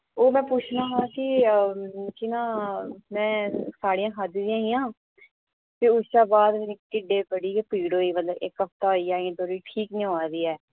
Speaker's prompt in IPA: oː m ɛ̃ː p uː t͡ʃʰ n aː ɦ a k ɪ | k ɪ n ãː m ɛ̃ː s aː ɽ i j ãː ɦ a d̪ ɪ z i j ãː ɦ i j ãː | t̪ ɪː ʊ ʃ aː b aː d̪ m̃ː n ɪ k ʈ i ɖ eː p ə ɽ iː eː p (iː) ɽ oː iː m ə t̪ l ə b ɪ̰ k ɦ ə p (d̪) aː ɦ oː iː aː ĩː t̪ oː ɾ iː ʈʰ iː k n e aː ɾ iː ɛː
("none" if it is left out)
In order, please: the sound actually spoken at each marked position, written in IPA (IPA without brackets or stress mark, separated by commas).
iː, t̪